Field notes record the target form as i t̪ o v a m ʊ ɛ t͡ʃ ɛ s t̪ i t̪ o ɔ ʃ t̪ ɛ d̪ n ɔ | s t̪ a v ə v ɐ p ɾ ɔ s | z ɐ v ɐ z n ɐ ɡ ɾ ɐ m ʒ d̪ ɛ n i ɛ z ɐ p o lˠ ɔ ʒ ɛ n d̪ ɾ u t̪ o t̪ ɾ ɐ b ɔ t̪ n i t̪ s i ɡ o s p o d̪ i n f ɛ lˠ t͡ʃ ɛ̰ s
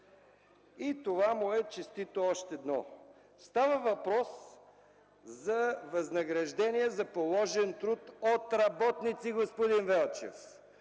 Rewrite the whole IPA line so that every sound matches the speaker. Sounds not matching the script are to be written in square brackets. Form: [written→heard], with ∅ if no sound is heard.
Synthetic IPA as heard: i t̪ o v a m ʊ ɛ t͡ʃ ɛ s t̪ i t̪ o ɔ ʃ t̪ ɛ d̪ n ɔ | s t̪ a v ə v ɐ p ɾ ɔ s | z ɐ v ɐ z n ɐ ɡ ɾ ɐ [m→∅] ʒ d̪ ɛ n i ɛ z ɐ p o lˠ ɔ ʒ ɛ n [d̪→t̪] ɾ u t̪ o t̪ ɾ ɐ b ɔ t̪ n i t̪ s i ɡ o s p o d̪ i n [f→v] ɛ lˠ t͡ʃ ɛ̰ [s→f]

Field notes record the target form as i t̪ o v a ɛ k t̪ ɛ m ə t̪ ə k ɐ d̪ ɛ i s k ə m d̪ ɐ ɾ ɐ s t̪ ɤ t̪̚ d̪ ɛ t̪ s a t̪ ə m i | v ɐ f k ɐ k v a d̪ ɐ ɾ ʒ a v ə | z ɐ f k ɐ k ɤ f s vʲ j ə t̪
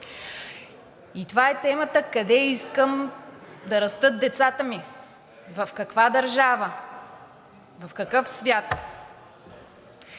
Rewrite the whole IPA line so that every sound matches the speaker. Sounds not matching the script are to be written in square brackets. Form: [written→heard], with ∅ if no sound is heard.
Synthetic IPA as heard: i t̪ o v a ɛ [k→∅] t̪ ɛ m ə t̪ ə k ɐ d̪ ɛ i s k ə m d̪ ɐ ɾ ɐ s t̪ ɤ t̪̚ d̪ ɛ t̪ s a t̪ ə m i | v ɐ f k ɐ k v a d̪ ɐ ɾ ʒ a v ə | [z→v] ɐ f k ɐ k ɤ f s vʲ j [ə→a] t̪

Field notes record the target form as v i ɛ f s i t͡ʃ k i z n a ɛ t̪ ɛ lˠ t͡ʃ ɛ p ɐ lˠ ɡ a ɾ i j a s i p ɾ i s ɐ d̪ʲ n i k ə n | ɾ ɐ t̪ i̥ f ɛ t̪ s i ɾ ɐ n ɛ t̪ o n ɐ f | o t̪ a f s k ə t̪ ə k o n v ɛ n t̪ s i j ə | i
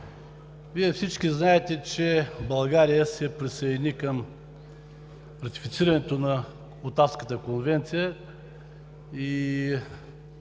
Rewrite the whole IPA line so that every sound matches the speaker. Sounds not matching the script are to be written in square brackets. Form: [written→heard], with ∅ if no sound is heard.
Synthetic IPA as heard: v i ɛ f s i t͡ʃ k i z n a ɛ t̪ ɛ [lˠ→∅] t͡ʃ ɛ [p→b] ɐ lˠ ɡ a ɾ i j [a→ə] s [i→ɛ] p ɾ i s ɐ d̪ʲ n i k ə [n→m] | ɾ ɐ t̪ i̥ f [ɛ→i] t̪ s i ɾ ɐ n ɛ t̪ o n ɐ [f→∅] | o t̪ a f s k ə t̪ ə k o n v ɛ n t̪ s i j ə | i

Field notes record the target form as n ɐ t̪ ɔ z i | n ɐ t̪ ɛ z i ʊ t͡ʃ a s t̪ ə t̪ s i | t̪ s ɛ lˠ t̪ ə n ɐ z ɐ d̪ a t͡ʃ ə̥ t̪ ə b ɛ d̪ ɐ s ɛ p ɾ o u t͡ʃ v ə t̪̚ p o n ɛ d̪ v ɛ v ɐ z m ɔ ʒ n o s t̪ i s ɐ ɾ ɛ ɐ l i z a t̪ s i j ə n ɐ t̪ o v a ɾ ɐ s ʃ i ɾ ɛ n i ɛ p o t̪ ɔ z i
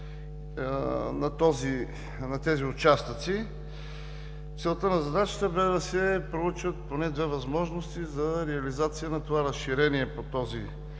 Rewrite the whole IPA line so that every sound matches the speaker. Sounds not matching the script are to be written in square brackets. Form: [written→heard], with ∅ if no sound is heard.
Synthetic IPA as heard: n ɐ t̪ ɔ z i | n ɐ t̪ ɛ z i ʊ t͡ʃ a s t̪ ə t̪ s i | t̪ s ɛ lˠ t̪ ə n ɐ z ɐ d̪ a t͡ʃ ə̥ t̪ ə b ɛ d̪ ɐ s ɛ p ɾ o u t͡ʃ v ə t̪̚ p o n ɛ d̪ v ɛ v ɐ z m ɔ ʒ n o s t̪ i [s→z] ɐ ɾ ɛ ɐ l i z a t̪ s i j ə n ɐ t̪ o v a ɾ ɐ s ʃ i ɾ ɛ n i ɛ p o t̪ ɔ z i

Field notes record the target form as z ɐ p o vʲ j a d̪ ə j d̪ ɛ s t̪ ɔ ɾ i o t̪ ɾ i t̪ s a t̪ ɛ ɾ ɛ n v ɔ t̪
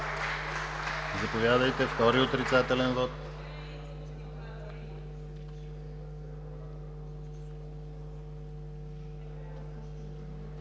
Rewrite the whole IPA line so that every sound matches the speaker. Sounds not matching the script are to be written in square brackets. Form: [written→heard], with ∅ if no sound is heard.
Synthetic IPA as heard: z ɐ p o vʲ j a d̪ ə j [d̪→t̪] ɛ [s→f] t̪ ɔ ɾ i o t̪ ɾ i t̪ s a t̪ ɛ [ɾ→l] ɛ n v ɔ t̪

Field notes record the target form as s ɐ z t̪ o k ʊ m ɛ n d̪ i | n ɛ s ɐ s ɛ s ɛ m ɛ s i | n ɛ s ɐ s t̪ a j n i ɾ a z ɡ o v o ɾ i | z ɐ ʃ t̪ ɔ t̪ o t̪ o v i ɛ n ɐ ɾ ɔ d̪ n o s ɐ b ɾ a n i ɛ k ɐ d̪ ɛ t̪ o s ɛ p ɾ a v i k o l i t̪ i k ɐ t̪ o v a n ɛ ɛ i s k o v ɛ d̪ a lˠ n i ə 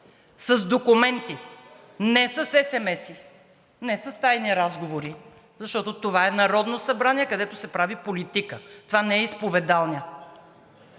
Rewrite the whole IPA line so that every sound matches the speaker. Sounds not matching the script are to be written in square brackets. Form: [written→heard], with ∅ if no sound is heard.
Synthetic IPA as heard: s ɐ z [t̪→d̪] o k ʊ m ɛ n [d̪→t̪] i | n ɛ s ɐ s ɛ s ɛ m ɛ s i | n ɛ s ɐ s t̪ a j n i ɾ a z ɡ o v o ɾ i | z ɐ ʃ t̪ ɔ t̪ o t̪ o v [i→a] ɛ n ɐ ɾ ɔ d̪ n o s ɐ b ɾ a n i ɛ k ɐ d̪ ɛ t̪ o s ɛ p ɾ a v i [k→p] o l i t̪ i k [ɐ→ə] t̪ o v a n ɛ ɛ i s [k→p] o v ɛ d̪ a lˠ n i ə

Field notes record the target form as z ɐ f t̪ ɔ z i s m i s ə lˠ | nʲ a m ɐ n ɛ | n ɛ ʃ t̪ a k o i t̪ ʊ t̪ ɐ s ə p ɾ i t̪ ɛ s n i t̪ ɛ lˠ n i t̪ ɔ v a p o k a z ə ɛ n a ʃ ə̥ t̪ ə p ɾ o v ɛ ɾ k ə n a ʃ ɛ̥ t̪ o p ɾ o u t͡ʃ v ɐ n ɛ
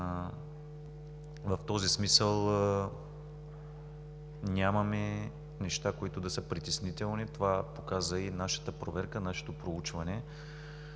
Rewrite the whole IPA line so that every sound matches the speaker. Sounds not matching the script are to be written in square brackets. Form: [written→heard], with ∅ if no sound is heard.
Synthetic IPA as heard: [z→v] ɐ f t̪ ɔ z i s m i s ə lˠ | nʲ a m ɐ [n→m] ɛ | n ɛ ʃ t̪ a k o i t̪ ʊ [t̪→d̪] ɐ s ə p ɾ i t̪ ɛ s n i t̪ ɛ lˠ n i t̪ [ɔ→o] v a p o k a z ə [ɛ→i] n a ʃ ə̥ t̪ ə p ɾ o v ɛ ɾ k ə n a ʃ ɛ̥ t̪ o p ɾ o u t͡ʃ v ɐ n ɛ

